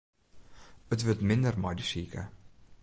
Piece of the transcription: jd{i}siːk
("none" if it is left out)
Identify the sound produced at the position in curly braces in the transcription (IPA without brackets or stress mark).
i